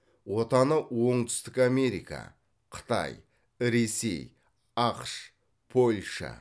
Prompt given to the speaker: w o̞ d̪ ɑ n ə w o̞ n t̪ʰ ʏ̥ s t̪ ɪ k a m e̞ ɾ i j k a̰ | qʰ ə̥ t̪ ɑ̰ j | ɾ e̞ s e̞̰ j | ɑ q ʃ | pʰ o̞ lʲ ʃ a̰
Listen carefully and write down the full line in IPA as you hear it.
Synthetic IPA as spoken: w o̞ t̪ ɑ n ə w o̞ ɴ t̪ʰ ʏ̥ s t̪ ɪ k a m e̞ ɾ i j k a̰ | qʰ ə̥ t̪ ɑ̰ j | ɾ e̞ s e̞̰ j | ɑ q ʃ | pʰ o̞ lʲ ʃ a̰